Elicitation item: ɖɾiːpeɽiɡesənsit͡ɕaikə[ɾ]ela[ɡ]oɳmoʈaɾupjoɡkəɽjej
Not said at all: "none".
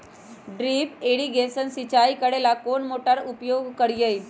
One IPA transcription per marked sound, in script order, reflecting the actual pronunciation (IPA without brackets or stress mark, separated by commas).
ɽ, k